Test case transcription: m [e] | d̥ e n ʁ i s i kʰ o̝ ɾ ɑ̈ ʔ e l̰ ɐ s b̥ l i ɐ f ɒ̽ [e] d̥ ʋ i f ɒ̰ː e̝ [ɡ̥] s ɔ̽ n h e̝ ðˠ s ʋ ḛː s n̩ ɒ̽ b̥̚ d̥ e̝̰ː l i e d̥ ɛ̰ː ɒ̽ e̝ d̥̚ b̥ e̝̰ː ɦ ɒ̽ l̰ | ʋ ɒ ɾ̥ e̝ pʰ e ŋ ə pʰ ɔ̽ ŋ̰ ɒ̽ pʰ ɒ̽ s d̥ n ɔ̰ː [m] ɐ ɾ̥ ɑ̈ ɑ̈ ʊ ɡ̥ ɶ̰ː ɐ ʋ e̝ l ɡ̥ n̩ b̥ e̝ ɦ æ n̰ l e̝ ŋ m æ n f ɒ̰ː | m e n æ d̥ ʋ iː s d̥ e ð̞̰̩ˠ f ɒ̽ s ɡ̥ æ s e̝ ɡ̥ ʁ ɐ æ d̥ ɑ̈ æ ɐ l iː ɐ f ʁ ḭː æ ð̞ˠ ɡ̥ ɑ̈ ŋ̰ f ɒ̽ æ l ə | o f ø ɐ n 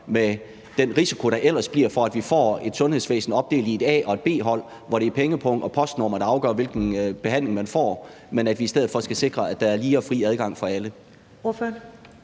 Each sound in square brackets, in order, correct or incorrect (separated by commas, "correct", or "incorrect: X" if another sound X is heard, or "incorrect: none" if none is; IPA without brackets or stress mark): correct, incorrect: æ, incorrect: d̥, correct